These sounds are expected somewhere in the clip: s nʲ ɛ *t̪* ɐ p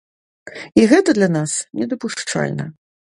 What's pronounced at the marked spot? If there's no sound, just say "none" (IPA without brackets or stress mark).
d̪